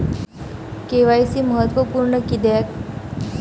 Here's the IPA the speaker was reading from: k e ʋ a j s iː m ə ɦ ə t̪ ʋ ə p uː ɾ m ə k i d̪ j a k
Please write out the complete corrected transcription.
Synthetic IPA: k e ʋ a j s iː m ə ɦ ə t̪ ʋ ə p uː ɾ ɳ ə k i d̪ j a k